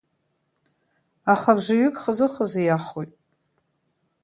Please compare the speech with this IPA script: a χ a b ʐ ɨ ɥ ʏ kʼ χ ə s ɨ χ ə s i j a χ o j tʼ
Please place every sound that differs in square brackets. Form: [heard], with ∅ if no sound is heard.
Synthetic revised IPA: a χ a b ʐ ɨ ɥ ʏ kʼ χ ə [z] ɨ χ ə [z] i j a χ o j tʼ